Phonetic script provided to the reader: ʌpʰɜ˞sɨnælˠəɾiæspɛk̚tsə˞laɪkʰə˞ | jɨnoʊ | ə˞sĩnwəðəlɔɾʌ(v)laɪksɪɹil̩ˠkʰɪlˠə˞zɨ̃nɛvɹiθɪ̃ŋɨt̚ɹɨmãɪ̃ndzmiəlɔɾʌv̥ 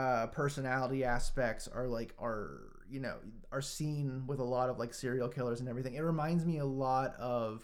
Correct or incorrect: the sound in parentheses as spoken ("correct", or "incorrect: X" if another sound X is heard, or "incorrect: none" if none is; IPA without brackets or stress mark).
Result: correct